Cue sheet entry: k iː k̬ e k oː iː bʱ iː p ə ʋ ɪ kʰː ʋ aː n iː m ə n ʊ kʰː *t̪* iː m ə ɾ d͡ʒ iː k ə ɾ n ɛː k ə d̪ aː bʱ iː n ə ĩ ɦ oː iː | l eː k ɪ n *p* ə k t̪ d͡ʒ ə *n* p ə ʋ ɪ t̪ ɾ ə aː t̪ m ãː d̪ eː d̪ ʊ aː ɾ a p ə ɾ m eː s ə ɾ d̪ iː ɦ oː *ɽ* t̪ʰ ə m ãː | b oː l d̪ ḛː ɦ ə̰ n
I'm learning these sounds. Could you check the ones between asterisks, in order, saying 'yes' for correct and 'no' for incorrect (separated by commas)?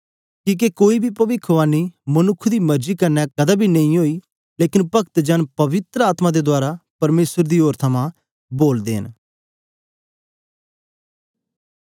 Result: no, yes, yes, no